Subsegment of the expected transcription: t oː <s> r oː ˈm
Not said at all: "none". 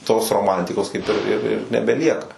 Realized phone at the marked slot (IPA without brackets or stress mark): s